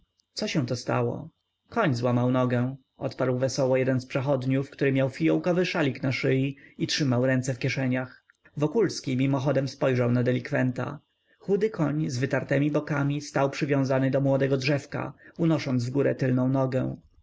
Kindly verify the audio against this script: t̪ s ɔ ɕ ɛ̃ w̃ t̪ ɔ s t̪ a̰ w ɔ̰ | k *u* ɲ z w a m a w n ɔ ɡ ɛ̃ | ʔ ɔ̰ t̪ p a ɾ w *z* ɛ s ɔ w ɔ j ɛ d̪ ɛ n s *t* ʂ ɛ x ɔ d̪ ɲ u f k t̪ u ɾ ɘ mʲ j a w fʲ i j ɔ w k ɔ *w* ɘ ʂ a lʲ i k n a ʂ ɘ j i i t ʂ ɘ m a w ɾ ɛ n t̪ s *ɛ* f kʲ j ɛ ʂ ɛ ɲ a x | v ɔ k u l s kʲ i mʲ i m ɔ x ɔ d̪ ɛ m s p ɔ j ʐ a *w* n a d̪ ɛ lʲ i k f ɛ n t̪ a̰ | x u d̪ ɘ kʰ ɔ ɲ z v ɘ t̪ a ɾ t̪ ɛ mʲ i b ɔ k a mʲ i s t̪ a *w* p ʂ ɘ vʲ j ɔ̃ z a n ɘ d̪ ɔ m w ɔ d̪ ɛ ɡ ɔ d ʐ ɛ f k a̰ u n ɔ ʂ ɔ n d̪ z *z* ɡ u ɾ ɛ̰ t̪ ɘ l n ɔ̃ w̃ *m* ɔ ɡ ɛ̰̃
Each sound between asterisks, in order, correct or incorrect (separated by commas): incorrect, incorrect, incorrect, incorrect, correct, correct, correct, incorrect, incorrect